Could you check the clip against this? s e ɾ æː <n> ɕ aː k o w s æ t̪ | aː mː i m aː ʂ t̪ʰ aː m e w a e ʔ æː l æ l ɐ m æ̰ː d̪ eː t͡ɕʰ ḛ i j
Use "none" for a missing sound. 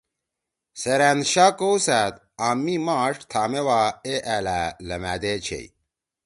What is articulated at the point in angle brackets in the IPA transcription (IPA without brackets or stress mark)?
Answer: n